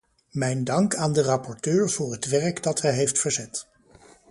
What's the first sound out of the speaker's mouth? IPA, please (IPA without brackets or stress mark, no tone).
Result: m